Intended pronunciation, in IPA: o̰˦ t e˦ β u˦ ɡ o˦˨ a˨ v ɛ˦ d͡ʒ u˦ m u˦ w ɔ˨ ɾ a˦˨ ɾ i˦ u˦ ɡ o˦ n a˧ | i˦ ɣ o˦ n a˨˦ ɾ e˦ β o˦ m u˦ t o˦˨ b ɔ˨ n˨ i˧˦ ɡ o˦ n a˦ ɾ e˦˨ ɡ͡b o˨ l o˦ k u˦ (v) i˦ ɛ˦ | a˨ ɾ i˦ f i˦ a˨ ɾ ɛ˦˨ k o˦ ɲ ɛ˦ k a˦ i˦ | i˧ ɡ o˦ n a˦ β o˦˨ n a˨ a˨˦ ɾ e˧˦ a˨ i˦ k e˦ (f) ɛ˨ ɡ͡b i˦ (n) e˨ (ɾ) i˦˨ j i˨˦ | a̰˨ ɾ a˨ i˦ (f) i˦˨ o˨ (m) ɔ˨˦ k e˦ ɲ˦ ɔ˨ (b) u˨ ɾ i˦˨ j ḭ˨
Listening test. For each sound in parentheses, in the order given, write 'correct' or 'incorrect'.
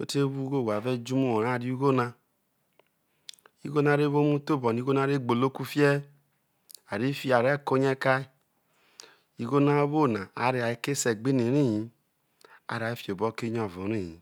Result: incorrect, incorrect, correct, correct, correct, incorrect, incorrect

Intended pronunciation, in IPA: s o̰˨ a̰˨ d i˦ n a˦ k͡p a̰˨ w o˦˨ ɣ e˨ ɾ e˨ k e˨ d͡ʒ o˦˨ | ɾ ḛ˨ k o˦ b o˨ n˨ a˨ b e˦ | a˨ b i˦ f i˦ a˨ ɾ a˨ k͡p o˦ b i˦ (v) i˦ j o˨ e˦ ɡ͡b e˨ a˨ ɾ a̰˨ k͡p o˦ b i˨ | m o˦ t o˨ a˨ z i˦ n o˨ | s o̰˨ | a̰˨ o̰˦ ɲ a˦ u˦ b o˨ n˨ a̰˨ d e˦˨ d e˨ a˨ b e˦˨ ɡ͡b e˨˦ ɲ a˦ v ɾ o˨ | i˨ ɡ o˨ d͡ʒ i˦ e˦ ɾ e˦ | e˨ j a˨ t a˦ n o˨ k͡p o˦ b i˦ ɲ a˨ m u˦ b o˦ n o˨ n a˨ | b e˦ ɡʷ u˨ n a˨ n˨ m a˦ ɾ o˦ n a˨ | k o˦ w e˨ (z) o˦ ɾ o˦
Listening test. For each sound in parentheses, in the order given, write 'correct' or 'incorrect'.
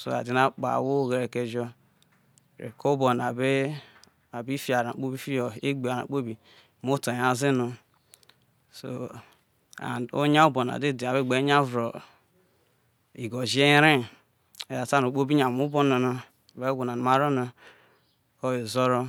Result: incorrect, correct

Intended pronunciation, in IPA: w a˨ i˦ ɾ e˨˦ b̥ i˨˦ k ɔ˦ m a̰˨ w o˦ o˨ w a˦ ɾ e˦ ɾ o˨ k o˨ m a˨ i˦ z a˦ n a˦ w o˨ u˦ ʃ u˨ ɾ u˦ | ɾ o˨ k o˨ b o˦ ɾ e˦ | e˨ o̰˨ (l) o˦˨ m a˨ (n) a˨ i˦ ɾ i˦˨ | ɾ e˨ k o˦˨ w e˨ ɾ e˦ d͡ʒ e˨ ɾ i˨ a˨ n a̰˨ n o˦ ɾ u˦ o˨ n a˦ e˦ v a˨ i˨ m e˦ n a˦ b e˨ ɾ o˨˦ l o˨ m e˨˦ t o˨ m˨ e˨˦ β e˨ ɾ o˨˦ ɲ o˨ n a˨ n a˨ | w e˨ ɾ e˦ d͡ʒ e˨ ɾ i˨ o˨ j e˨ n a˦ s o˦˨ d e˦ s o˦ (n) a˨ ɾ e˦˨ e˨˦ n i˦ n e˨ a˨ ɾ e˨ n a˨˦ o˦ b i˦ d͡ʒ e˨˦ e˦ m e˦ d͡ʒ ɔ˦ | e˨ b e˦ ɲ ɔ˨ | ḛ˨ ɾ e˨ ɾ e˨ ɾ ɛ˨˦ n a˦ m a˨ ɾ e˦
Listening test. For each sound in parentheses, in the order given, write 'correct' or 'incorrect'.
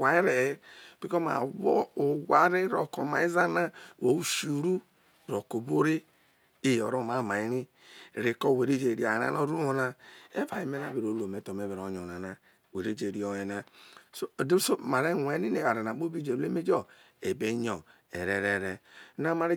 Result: incorrect, incorrect, incorrect

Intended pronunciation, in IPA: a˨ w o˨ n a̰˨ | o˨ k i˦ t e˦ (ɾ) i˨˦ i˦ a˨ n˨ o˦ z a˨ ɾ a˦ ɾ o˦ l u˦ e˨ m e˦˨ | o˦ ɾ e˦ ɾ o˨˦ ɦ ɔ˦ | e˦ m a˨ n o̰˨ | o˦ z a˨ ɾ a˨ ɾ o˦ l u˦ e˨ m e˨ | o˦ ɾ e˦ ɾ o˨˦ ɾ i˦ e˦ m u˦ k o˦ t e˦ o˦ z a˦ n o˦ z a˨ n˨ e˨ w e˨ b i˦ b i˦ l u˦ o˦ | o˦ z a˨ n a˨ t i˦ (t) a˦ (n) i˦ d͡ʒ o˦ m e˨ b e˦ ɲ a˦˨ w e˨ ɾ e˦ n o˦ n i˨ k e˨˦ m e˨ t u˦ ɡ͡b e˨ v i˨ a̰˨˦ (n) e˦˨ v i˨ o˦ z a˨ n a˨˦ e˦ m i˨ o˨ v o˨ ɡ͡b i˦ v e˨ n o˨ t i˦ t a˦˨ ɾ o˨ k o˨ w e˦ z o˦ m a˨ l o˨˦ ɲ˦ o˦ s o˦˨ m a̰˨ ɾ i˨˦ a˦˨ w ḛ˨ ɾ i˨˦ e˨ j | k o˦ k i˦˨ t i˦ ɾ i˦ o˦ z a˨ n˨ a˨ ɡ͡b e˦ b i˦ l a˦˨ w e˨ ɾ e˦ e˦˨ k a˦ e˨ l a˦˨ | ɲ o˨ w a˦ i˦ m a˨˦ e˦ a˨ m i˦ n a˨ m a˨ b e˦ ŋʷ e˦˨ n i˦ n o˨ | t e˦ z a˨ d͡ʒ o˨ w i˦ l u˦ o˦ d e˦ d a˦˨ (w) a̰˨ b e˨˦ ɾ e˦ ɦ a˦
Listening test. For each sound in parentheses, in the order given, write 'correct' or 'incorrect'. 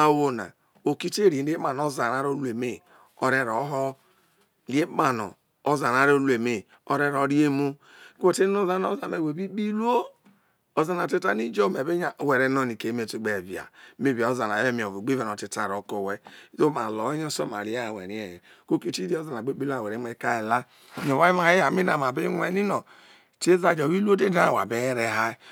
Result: correct, correct, correct, incorrect, correct

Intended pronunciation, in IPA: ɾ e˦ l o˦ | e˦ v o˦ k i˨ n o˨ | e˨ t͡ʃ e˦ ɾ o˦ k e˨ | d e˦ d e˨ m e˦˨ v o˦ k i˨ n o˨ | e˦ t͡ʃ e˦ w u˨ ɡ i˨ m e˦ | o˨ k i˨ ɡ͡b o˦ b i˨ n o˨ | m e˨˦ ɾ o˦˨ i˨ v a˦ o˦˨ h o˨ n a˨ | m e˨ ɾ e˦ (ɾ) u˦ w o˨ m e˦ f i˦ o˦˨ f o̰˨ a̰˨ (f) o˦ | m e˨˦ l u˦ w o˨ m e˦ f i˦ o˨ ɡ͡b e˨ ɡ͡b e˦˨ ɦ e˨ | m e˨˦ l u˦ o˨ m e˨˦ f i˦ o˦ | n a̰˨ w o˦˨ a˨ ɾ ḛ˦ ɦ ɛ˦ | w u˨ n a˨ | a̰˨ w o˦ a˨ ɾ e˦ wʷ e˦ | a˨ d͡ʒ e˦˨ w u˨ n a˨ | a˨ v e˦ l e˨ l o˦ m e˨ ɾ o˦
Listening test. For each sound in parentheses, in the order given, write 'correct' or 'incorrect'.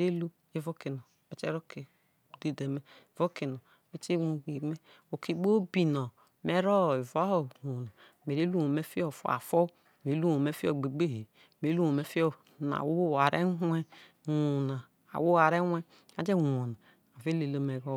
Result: incorrect, correct

